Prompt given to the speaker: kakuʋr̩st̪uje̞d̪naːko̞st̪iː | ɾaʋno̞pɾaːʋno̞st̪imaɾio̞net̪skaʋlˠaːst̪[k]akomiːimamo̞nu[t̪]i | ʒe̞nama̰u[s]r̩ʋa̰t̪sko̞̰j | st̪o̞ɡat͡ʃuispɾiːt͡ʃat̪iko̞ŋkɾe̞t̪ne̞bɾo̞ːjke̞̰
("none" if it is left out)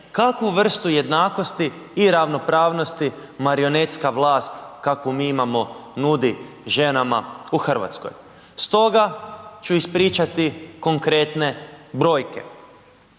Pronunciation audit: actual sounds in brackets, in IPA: k, d̪, x

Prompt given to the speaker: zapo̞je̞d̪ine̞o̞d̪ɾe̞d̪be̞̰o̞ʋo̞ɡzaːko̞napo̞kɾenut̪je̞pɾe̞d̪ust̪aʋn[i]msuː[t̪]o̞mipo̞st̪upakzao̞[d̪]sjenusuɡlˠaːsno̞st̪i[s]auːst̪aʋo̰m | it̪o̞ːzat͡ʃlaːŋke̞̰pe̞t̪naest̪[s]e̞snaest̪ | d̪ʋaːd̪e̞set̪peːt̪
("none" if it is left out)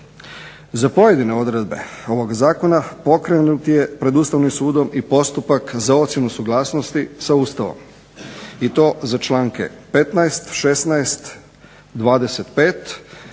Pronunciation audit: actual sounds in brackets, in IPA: i, d̪, t̪, s, ʃ

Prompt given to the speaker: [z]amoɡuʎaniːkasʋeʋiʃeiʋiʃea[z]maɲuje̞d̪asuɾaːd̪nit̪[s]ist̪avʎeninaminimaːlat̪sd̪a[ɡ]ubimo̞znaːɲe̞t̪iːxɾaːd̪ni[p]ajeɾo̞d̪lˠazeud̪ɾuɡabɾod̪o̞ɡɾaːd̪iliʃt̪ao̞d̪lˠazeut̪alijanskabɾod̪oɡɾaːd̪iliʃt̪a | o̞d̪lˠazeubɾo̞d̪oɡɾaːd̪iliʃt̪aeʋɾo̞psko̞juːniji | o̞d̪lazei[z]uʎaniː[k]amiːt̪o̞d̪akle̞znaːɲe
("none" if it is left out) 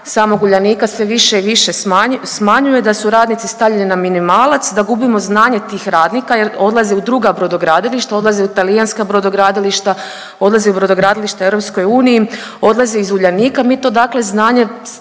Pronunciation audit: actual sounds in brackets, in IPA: s, s, s, ɡ, k, z, k

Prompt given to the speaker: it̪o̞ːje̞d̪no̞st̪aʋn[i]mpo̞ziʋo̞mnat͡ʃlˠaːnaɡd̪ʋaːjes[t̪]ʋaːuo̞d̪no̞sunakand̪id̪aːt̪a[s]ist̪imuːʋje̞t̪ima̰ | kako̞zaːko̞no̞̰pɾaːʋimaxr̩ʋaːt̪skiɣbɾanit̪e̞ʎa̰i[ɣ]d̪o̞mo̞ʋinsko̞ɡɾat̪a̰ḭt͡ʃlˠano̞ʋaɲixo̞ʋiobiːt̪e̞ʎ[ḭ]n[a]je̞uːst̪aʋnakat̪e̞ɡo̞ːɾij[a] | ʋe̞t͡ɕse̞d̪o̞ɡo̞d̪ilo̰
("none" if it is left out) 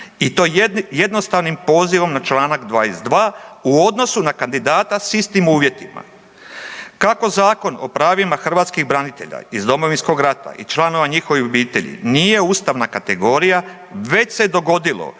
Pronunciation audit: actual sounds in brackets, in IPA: i, d̪, s, z, ḭ, i, a

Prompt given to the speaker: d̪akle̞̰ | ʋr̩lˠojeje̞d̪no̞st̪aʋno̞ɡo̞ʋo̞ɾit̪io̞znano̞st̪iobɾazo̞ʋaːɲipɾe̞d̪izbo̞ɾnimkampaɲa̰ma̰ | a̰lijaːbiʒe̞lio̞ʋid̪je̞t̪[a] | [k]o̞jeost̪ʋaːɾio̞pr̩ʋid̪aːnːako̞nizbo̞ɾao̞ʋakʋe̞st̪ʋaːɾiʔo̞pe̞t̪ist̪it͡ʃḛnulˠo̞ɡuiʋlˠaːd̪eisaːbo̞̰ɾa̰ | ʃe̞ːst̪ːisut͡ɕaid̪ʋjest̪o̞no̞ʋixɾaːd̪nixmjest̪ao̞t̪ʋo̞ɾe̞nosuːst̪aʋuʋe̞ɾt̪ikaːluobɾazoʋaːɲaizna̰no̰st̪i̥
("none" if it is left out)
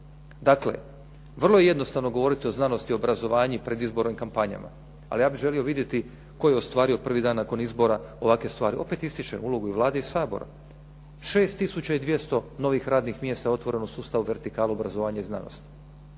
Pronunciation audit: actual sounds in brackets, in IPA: i, k

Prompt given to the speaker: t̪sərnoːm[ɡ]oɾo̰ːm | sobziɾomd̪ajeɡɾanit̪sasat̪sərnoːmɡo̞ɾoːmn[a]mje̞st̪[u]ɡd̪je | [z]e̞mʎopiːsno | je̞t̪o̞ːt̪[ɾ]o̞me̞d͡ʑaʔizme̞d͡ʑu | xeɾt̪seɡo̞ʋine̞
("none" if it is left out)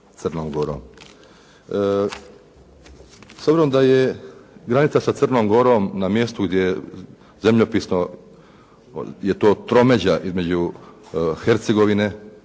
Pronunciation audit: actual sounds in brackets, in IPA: ɡ, a, u, z, ɾ

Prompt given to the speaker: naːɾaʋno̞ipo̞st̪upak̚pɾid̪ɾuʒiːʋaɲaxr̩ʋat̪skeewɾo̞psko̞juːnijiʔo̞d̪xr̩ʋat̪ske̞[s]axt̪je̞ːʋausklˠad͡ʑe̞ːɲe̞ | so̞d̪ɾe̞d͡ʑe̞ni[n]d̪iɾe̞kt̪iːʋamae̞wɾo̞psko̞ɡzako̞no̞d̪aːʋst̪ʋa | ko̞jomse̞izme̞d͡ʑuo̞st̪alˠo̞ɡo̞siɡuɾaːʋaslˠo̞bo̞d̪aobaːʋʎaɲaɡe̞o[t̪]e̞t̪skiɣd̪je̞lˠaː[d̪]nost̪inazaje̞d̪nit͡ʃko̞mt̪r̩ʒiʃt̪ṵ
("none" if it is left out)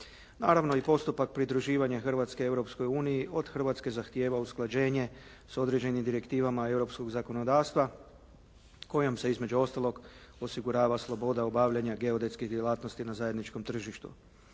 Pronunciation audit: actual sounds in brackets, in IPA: z, m, d̪, t̪

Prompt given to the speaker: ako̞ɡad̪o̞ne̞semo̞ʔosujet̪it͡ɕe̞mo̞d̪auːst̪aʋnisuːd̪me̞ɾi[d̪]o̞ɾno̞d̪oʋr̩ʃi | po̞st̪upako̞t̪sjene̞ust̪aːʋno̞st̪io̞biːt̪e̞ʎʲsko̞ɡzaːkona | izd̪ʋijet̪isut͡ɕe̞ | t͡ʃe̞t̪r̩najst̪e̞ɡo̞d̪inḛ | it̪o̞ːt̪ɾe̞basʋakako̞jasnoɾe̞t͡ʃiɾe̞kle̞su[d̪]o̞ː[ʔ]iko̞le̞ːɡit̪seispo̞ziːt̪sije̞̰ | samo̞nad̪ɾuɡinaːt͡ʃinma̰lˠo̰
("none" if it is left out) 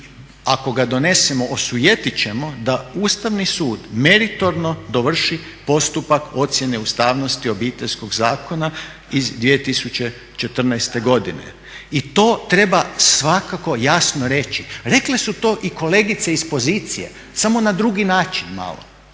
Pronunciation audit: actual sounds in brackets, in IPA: t̪, t̪, ʔ

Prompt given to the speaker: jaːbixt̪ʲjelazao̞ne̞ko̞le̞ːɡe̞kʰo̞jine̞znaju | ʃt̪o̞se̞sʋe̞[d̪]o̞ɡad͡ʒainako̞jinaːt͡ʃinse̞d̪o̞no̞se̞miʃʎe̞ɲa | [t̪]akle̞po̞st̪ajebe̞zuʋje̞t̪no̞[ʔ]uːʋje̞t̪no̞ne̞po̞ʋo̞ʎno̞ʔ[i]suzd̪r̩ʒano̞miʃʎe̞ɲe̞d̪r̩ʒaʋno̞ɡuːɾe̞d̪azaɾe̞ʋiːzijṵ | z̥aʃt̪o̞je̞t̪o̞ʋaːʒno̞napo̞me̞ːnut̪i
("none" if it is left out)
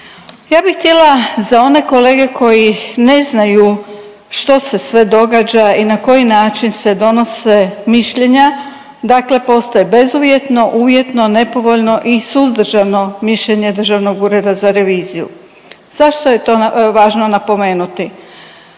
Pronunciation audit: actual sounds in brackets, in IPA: d̪, d̪, ʔ, i

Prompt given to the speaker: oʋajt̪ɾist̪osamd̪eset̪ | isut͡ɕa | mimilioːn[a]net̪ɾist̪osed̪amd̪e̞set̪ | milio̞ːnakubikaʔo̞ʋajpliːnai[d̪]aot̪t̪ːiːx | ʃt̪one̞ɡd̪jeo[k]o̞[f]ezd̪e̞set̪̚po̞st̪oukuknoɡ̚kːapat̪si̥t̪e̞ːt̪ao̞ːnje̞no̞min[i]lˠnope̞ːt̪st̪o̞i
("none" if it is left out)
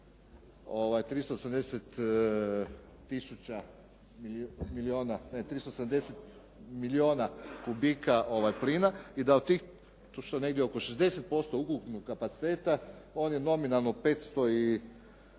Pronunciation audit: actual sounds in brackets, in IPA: a, d̪, k, ʃ, a

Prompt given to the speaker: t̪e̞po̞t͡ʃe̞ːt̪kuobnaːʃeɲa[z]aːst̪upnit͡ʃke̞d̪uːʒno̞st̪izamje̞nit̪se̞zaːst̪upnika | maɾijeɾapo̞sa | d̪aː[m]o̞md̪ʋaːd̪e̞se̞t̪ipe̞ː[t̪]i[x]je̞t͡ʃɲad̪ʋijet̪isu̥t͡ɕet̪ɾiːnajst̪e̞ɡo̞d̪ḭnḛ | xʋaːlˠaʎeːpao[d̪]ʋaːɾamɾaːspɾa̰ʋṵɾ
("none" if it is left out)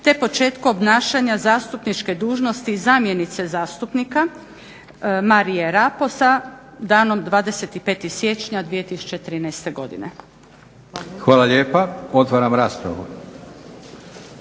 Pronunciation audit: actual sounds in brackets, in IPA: z, n, t̪, s, t̪

